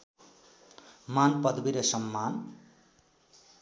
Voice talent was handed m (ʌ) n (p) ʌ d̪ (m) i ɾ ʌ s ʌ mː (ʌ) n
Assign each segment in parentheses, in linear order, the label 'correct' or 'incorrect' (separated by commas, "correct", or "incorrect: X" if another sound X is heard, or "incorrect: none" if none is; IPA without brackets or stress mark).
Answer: incorrect: a, correct, incorrect: b, incorrect: a